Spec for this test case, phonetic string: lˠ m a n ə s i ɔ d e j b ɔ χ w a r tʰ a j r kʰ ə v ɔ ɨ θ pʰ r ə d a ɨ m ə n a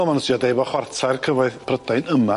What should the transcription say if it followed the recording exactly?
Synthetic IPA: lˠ m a n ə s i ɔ d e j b ɔ χ w a r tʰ a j r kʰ ə v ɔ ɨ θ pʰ r ə d a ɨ n ə m a